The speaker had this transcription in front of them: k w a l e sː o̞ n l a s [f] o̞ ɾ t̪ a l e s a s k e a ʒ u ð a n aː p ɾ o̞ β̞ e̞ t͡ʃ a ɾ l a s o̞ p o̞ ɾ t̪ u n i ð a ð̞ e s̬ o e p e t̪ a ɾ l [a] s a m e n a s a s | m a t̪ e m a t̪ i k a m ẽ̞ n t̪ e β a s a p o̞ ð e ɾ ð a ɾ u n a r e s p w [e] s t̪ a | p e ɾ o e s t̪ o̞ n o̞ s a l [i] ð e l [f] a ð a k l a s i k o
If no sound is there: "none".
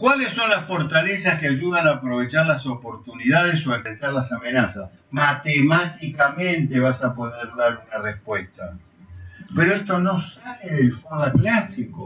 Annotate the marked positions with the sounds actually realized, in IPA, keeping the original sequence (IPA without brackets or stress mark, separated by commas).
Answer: f, a, e, e, f